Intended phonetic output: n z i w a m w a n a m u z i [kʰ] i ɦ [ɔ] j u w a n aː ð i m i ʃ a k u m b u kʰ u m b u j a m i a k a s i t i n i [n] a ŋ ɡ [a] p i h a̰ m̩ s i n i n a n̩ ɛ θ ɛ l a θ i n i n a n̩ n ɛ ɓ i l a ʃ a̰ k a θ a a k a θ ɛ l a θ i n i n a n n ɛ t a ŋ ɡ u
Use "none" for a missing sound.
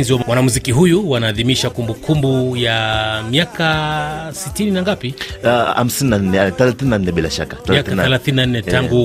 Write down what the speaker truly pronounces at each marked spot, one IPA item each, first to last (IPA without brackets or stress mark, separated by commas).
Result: k, u, n, a